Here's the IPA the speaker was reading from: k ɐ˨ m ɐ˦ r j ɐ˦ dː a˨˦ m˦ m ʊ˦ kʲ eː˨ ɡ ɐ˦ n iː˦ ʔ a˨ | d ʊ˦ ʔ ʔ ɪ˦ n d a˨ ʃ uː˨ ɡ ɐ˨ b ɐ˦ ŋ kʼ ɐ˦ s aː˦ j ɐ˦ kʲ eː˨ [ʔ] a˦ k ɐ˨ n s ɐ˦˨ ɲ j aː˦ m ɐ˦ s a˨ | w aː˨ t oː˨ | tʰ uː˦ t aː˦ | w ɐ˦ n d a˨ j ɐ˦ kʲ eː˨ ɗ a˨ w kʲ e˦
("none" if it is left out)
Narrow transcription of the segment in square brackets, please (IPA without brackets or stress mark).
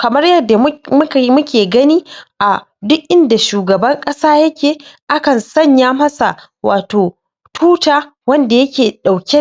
ʔ